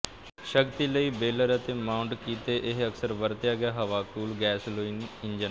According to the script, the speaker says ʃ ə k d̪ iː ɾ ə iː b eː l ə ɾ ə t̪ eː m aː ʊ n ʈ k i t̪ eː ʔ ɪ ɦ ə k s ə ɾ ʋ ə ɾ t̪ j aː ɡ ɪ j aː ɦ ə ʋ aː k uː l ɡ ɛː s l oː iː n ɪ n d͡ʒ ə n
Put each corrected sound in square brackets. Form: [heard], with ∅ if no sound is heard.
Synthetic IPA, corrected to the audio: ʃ ə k [t̪] iː [l] ə iː b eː l ə ɾ ə t̪ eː m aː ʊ [ɳ] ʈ k [iː] t̪ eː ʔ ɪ ɦ ə k s ə ɾ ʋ ə ɾ t̪ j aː ɡ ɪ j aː ɦ ə ʋ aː k uː l ɡ ɛː s l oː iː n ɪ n d͡ʒ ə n